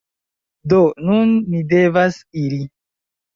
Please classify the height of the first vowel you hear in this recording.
mid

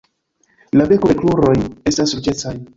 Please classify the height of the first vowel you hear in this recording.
low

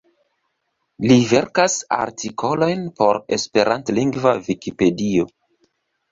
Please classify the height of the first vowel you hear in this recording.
high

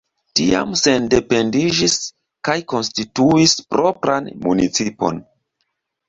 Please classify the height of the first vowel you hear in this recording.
high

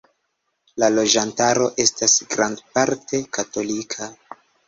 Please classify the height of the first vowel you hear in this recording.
low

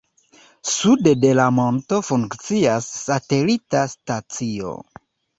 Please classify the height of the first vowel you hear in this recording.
high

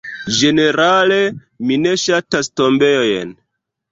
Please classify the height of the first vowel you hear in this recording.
mid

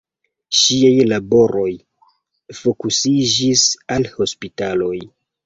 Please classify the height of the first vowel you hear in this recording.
high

